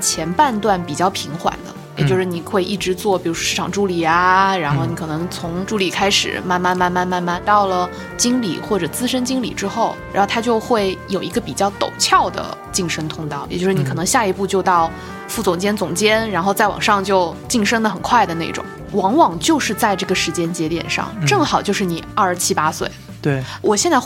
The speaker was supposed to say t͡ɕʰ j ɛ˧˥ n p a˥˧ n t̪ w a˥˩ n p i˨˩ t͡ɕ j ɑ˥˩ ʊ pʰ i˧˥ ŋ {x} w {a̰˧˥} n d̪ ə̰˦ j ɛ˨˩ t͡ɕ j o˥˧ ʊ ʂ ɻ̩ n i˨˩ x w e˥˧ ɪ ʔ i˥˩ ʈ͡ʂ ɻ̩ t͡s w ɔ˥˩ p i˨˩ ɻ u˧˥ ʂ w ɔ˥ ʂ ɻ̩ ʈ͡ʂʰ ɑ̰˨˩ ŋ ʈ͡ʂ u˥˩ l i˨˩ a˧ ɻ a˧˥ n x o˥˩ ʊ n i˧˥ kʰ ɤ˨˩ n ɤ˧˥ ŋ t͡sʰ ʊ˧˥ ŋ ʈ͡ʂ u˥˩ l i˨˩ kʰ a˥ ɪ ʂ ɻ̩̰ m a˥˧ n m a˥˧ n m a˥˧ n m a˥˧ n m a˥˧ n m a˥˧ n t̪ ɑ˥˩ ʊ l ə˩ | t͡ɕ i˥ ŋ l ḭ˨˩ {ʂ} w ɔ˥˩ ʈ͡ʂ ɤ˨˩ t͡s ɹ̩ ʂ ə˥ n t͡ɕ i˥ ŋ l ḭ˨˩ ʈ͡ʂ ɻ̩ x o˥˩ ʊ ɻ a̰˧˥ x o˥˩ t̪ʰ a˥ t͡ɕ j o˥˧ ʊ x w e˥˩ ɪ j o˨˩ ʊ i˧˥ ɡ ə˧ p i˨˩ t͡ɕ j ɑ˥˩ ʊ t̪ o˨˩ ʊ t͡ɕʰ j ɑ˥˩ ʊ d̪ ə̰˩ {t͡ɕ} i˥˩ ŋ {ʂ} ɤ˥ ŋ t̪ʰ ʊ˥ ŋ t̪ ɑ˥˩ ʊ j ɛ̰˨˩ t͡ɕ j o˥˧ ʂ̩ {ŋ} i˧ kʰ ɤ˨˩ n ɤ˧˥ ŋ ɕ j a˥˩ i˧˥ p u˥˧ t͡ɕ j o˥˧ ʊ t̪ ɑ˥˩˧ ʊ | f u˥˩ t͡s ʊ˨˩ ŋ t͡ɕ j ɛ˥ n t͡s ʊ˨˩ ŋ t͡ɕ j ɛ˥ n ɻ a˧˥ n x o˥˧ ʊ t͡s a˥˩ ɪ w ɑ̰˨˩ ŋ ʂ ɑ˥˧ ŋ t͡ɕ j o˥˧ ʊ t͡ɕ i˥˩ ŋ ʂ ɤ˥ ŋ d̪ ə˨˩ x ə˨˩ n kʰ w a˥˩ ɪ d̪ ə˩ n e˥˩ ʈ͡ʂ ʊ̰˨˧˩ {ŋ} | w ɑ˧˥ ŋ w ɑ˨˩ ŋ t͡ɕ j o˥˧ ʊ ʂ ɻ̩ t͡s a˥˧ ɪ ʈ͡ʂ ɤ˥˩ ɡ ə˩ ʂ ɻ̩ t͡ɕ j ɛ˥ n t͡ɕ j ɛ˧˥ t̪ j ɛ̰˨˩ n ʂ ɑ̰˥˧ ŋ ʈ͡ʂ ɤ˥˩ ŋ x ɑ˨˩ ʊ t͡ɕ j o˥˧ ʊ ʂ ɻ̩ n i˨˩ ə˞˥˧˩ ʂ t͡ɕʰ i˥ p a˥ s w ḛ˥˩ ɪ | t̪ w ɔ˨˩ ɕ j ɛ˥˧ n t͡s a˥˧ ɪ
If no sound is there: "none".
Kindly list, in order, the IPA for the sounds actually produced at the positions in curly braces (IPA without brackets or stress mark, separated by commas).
x, a̰˨˩, x, t͡ɕ, ʂ, n, ŋ